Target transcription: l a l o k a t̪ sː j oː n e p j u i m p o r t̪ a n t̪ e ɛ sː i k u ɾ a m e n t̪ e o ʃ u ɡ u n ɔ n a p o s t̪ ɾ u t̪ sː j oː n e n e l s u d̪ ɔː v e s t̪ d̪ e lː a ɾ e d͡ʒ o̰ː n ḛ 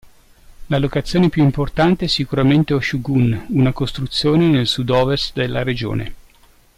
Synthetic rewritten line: l a l o k a t̪ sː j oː n e p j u i m p o r t̪ a n t̪ e ɛ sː i k u ɾ a m e n t̪ e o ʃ u ɡ u n u n a k o s t̪ ɾ u t̪ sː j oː n e n e l s u d̪ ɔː v e s t̪ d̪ e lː a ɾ e d͡ʒ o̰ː n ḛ

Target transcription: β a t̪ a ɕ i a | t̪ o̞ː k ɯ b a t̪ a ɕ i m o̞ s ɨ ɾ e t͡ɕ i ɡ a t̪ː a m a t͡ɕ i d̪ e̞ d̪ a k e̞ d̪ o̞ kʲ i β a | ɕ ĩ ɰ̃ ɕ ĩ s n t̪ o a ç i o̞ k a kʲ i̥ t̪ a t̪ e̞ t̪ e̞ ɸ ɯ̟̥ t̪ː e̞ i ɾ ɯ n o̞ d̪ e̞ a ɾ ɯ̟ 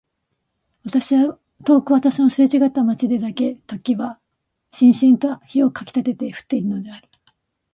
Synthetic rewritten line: β a t̪ a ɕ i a | t̪ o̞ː k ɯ β a t̪ a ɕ i n o̞ s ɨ ɾ e t͡ɕ i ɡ a t̪ː a m a t͡ɕ i d̪ e̞ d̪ a k e̞ t̪ o̞ kʲ i β a | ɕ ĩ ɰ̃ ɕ ĩ n t̪ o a ç i o̞ k a kʲ i̥ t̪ a t̪ e̞ t̪ e̞ ɸ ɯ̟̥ t̪ː e̞ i ɾ ɯ n o̞ d̪ e̞ a ɾ ɯ̟

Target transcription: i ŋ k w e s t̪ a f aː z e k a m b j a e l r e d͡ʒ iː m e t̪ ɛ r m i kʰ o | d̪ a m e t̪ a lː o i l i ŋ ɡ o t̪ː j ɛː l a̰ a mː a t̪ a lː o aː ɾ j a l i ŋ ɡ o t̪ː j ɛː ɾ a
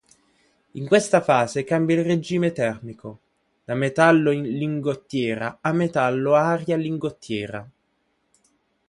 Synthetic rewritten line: i ŋ k w e s t̪ a f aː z e k a m b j a i l r e d͡ʒ iː m e t̪ ɛ r m i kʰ o | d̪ a m e t̪ a lː o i l i ŋ ɡ o t̪ː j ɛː ɾ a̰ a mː e t̪ a lː o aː ɾ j a l i ŋ ɡ o t̪ː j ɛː ɾ a

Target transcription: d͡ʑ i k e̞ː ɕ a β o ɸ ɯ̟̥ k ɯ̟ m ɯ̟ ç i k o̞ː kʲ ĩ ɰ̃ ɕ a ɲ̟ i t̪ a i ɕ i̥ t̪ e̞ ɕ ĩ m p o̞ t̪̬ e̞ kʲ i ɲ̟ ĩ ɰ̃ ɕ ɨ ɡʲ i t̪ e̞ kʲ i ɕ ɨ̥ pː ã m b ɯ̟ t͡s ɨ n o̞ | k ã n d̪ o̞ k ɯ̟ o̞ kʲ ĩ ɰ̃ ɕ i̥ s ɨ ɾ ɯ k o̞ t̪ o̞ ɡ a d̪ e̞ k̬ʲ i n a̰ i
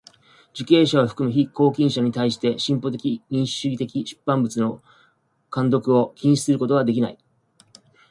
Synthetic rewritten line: d͡ʑ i k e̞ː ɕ a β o ɸ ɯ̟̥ k ɯ̟ m ɯ̟ ç i k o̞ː kʲ ĩ ɰ̃ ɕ a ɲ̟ i t̪ a i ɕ i̥ t̪ e̞ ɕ ĩ m p o̞ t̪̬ e̞ kʲ i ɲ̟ ĩ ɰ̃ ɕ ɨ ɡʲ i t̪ e̞ kʲ i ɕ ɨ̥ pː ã m b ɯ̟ t͡s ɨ n o̞ | k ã n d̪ o̞ k ɯ̟ o̞ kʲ ĩ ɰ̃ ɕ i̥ s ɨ ɾ ɯ k o̞ t̪ o̞ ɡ a d̪ e̞ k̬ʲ i n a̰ i

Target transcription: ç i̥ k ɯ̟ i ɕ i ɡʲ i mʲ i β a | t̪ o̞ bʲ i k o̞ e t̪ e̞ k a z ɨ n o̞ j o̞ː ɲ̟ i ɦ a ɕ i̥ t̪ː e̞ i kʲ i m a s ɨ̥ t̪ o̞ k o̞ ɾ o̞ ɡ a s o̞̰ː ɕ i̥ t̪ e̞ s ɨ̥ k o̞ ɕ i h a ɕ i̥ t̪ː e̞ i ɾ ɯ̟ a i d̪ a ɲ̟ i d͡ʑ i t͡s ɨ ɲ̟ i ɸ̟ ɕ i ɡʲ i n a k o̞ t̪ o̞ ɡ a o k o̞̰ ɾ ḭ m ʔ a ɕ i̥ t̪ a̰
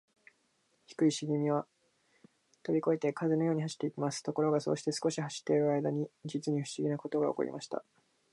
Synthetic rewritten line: ç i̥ k ɯ̟ i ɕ i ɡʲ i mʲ i β a | t̪ o̞ bʲ i k o̞ e t̪ e̞ k a z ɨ n o̞ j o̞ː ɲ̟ i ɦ a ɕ i̥ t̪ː e̞ i kʲ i m a s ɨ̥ t̪ o̞ k o̞ ɾ o̞ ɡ a s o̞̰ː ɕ i̥ t̪ e̞ s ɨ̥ k o̞ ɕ i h a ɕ i̥ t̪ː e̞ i ɾ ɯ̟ a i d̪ a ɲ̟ i d͡ʑ i t͡s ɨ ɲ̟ i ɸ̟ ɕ i ɡʲ i n a k o̞ t̪ o̞ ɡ a o k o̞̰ ɾ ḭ m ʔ a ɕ i̥ t̪ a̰

